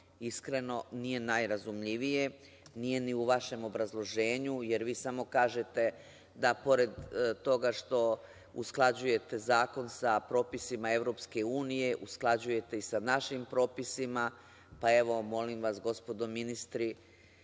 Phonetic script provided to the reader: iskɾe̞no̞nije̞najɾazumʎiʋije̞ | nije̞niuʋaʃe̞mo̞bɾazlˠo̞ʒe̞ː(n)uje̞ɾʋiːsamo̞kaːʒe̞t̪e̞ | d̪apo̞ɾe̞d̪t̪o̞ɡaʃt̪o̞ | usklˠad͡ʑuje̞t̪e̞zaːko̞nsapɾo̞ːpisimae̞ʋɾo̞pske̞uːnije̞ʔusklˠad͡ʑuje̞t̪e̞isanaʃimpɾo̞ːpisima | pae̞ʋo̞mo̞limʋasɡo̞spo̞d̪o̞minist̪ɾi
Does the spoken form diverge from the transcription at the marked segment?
yes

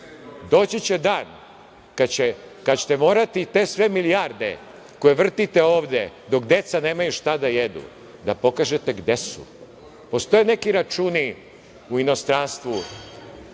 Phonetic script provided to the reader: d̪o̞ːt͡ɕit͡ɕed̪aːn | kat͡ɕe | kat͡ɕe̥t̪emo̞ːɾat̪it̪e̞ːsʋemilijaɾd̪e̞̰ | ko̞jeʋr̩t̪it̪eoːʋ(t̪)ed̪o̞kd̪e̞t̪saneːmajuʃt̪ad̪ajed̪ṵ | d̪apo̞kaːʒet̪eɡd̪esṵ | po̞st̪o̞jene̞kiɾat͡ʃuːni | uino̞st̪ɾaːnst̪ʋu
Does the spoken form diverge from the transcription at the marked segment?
yes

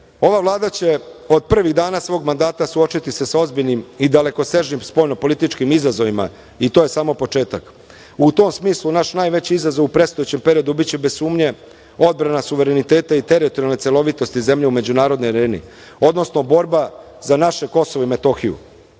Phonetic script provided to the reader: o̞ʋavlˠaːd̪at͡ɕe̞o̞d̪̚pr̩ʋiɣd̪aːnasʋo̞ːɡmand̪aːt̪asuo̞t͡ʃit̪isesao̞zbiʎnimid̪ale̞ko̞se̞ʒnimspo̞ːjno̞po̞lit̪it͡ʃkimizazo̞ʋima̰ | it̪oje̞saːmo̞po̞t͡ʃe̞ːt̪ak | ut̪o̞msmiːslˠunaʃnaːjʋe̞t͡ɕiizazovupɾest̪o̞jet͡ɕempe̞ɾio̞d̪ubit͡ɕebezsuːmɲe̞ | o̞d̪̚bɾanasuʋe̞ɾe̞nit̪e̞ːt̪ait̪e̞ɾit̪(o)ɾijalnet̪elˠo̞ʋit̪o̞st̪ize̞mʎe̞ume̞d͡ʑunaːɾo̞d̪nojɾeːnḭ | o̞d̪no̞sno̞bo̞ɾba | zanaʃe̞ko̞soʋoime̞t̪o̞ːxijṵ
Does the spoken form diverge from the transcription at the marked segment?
no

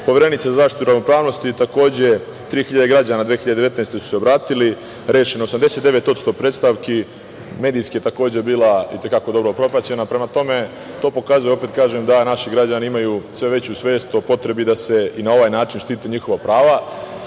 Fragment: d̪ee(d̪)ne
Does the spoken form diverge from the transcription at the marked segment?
yes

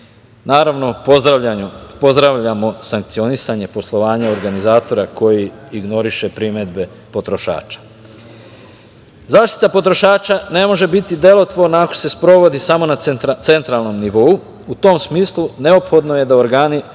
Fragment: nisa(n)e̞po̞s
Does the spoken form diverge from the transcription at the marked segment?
yes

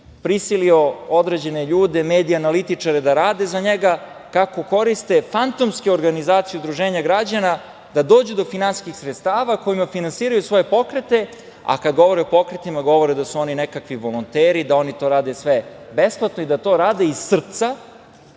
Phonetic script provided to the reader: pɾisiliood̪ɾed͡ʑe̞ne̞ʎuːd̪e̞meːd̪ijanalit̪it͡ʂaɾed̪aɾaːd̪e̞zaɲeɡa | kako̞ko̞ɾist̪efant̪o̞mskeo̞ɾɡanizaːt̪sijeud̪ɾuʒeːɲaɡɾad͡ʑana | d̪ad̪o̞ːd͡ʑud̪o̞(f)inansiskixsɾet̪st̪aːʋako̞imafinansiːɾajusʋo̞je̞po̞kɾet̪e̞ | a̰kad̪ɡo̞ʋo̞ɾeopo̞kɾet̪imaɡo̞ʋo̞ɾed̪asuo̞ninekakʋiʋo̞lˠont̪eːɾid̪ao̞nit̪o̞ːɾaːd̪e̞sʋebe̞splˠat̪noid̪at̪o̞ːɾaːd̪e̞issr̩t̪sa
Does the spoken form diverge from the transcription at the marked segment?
no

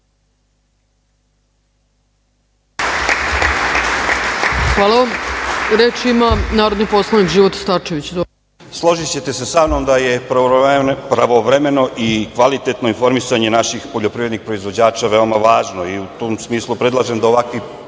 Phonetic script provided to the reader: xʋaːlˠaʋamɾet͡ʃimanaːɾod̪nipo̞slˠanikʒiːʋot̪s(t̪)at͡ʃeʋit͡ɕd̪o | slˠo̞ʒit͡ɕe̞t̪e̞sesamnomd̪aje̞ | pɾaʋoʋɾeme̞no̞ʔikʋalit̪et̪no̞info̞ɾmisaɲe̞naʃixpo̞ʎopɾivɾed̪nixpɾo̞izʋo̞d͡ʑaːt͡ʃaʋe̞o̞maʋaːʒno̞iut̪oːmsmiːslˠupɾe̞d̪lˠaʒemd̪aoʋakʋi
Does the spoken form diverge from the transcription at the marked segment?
no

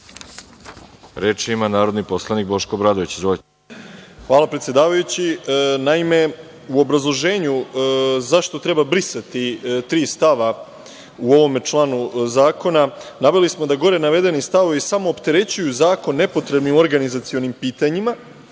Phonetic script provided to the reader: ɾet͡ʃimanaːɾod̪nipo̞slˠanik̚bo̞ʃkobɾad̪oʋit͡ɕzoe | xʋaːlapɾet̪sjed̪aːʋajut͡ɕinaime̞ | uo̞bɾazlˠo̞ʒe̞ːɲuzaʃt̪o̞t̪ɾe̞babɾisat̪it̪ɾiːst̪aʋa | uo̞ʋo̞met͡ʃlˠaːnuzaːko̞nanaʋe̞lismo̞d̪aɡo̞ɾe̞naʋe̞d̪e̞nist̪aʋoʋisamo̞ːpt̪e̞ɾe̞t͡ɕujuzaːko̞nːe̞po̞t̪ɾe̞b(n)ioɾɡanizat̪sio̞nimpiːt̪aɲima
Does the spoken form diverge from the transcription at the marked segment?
no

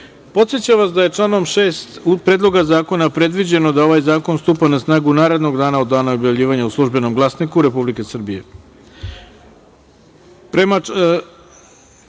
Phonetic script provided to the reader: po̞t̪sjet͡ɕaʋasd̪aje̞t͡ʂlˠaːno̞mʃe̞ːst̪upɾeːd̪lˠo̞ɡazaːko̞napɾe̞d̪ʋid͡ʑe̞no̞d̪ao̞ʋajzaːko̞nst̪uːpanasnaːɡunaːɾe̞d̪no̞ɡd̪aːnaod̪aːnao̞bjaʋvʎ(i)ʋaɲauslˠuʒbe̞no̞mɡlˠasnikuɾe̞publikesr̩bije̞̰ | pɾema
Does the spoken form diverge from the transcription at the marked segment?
yes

